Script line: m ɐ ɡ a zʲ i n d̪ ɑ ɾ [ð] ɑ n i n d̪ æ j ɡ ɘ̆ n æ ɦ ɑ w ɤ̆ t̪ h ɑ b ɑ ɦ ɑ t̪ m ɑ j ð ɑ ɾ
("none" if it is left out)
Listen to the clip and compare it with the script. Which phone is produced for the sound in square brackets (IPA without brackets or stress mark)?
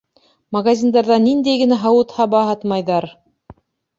ð